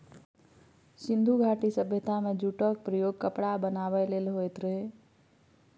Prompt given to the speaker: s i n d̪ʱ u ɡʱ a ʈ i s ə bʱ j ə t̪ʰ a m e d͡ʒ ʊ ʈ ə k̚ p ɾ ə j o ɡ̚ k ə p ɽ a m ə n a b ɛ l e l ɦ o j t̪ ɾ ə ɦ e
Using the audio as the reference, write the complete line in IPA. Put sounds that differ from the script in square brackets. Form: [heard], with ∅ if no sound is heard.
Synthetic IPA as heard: s i n d̪ʱ u ɡʱ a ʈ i s ə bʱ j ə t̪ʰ a m e d͡ʒ [u] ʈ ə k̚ p ɾ ə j o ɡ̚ k ə p ɽ a [b] ə n a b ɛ l e l ɦ o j t̪ ɾ ə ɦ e